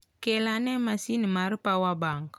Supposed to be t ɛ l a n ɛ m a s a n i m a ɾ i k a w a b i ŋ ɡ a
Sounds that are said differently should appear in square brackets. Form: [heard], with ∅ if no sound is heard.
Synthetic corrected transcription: [k] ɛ l a n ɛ m a s [i] n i m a ɾ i [p] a w a b [a] ŋ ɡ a